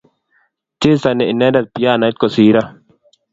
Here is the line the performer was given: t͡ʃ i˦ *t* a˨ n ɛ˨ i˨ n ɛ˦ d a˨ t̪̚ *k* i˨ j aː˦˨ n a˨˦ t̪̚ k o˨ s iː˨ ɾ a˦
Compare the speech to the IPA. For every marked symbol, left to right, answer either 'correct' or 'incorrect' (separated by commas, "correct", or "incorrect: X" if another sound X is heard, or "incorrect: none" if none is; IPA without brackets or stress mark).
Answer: incorrect: s, incorrect: p